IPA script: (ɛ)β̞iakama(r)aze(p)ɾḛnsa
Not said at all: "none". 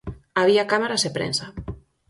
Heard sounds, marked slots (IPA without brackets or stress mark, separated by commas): a, ɾ, p